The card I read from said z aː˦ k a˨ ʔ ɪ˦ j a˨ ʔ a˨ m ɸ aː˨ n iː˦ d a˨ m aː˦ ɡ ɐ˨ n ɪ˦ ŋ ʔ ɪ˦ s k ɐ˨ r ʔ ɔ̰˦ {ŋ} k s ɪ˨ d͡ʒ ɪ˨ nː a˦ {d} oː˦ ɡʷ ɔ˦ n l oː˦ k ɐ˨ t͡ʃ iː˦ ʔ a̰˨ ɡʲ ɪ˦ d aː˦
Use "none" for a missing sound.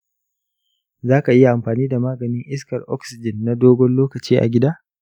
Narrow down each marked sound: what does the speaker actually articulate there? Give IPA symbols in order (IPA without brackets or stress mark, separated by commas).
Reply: none, d